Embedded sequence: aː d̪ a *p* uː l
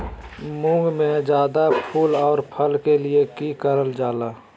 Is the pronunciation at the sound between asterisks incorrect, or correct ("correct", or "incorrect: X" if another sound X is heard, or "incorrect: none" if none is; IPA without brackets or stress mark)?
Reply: incorrect: pʰ